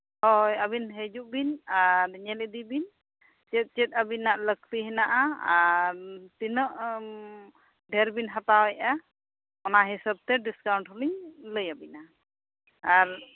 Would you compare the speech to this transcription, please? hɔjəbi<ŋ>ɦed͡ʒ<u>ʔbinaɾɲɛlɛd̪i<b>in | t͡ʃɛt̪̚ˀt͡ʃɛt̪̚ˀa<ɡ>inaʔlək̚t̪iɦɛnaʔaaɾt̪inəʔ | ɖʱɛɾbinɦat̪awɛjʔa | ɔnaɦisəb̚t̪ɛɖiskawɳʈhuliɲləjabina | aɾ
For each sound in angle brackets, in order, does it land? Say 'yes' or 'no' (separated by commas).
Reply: no, yes, yes, no